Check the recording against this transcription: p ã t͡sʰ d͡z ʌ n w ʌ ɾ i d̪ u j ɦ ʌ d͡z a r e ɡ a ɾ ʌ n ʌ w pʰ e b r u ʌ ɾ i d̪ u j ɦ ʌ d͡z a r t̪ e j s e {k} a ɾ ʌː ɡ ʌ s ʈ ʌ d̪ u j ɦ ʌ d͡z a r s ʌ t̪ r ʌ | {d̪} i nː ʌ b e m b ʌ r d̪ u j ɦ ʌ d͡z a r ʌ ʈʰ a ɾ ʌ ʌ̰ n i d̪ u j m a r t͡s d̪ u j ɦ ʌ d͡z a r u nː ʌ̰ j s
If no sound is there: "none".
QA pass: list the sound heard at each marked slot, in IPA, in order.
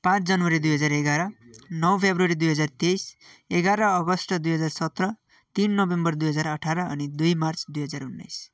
ɡ, t̪

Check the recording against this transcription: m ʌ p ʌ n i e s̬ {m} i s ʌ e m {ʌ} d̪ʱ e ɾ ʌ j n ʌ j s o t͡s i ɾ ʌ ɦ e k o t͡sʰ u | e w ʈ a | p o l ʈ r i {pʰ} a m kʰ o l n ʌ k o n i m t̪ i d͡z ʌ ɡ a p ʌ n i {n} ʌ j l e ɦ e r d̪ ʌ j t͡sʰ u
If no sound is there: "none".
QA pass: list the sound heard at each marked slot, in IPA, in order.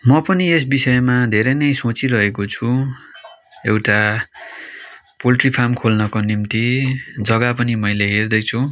b, a, pʰ, m

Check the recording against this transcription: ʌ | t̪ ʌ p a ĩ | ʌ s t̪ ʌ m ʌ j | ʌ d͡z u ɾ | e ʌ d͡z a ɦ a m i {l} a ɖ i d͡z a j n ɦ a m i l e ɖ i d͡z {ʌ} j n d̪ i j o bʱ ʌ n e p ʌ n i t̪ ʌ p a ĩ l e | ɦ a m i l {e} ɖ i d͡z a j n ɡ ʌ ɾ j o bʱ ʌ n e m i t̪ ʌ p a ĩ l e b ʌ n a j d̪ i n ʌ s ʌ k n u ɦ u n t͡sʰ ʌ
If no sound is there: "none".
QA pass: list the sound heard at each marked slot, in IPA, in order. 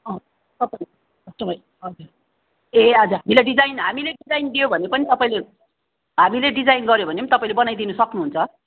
l, a, e

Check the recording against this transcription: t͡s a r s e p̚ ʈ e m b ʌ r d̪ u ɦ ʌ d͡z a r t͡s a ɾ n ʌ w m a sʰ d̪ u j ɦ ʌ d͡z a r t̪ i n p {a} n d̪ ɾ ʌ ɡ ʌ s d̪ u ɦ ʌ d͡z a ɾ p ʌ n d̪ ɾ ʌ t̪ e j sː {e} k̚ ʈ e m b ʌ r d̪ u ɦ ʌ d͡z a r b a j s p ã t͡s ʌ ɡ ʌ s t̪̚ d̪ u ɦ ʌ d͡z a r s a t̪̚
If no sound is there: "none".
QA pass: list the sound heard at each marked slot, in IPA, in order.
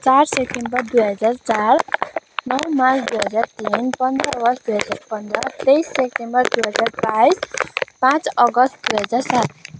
ʌ, e

